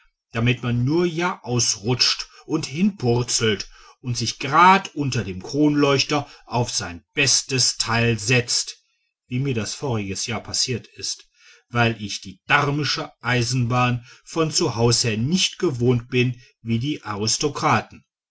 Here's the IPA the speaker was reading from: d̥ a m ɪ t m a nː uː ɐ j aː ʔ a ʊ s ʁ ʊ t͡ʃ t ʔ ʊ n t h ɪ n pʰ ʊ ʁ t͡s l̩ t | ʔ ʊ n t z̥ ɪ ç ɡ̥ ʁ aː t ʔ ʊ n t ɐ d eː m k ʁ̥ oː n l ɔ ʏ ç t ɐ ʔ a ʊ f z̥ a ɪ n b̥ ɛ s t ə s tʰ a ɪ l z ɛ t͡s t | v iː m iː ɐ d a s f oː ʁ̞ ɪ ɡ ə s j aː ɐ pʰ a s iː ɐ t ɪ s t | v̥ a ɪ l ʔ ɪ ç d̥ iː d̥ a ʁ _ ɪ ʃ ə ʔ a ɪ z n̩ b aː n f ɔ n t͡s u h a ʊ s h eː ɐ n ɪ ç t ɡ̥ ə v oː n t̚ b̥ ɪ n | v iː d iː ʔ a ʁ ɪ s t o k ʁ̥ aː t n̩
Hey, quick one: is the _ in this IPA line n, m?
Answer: m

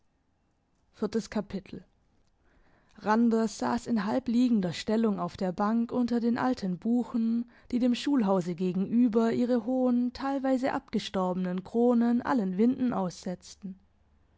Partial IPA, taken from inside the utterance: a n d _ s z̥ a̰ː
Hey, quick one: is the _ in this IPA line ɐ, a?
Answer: ɐ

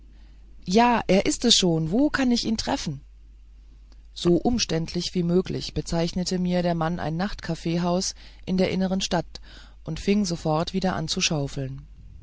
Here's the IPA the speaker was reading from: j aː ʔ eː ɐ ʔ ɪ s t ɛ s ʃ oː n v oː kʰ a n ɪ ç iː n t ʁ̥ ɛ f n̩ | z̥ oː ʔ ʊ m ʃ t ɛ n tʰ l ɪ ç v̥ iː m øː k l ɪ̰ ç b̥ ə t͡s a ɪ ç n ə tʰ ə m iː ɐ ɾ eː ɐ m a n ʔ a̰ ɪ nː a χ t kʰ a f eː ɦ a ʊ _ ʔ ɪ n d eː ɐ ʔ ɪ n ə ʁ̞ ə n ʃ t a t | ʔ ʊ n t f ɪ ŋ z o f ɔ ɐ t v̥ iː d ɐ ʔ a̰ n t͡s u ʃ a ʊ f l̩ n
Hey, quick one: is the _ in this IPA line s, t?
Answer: s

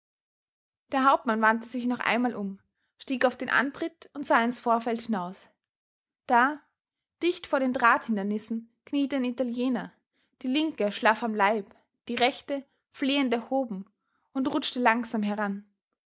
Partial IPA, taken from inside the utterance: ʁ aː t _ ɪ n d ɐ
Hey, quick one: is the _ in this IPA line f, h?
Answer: h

